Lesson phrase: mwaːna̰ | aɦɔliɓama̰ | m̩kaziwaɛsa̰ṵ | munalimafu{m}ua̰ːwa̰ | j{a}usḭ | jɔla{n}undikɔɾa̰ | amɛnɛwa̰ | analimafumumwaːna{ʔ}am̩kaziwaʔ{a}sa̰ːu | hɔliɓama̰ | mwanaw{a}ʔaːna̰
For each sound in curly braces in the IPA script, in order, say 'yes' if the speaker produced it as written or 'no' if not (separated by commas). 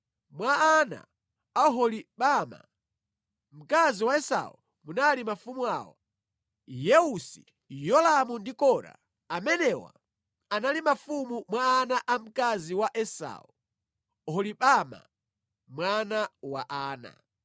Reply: yes, no, no, yes, no, yes